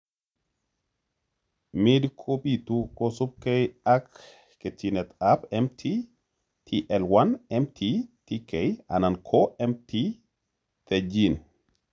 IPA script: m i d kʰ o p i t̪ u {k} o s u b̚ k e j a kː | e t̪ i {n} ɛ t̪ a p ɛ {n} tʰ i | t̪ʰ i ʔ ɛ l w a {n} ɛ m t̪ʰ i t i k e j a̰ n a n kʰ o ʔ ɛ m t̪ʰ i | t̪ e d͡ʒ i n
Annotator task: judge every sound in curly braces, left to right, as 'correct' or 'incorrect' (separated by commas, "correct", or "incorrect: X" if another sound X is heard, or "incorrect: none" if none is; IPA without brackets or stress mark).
correct, correct, incorrect: m, correct